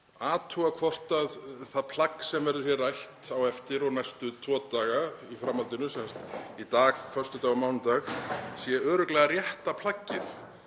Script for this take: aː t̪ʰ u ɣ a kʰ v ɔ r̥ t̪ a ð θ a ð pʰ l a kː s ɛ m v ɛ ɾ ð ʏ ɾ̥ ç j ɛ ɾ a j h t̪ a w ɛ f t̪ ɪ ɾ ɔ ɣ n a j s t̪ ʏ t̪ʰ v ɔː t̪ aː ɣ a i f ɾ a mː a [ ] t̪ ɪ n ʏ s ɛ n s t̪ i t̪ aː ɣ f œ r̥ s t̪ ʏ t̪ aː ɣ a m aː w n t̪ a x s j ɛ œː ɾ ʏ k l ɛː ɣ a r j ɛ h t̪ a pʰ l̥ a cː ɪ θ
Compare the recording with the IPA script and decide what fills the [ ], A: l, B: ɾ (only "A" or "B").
A